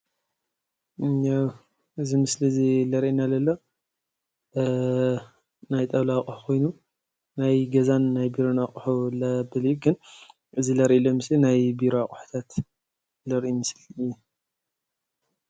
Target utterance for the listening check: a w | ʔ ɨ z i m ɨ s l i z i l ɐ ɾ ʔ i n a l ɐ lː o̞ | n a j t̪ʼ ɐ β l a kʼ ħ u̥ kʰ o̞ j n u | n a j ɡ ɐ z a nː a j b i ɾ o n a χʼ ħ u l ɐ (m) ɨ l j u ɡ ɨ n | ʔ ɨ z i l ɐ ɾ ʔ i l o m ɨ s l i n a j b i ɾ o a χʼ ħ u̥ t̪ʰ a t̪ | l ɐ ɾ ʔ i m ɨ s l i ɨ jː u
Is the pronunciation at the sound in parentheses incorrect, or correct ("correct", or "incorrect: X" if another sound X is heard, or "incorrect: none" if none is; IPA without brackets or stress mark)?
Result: incorrect: b